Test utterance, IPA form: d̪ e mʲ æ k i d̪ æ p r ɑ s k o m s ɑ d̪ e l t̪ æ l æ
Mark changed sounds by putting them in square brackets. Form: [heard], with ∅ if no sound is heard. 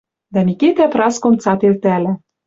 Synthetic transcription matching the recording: d̪ [æ] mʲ [i] k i [t̪] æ p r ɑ s k o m [t͡s] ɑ [t̪] e l t̪ æ l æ